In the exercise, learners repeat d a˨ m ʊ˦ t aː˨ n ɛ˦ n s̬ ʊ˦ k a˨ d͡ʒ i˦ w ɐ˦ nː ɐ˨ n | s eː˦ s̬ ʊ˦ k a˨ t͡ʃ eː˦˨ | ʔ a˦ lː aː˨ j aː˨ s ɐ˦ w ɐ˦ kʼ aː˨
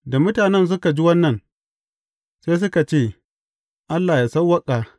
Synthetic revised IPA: d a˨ m ʊ˦ t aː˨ n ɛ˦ n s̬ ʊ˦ k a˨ d͡ʒ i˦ w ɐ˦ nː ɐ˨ n | s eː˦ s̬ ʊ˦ k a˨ t͡ʃ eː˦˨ | ʔ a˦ lː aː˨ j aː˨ s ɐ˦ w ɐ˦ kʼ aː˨